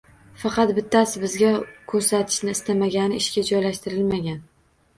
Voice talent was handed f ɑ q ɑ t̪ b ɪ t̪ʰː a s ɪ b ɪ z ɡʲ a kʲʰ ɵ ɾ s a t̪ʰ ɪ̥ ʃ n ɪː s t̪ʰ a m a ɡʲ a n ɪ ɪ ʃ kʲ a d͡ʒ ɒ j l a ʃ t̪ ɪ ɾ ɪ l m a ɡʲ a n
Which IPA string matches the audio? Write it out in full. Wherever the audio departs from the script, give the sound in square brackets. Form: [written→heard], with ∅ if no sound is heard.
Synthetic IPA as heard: f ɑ q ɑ t̪ b ɪ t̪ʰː a s ɪ b ɪ z ɡʲ a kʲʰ ɵ ɾ s a t̪ʰ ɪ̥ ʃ n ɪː s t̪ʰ a m a ɡʲ a n ɪ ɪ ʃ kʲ a d͡ʒ ɒ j l a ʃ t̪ ɪ ɾ ɪ l m a ɡʲ a n